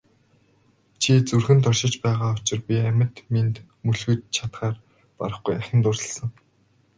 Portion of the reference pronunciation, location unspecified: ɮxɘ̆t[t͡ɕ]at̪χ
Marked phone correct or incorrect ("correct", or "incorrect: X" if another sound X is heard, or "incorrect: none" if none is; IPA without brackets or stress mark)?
incorrect: t͡ɕʰ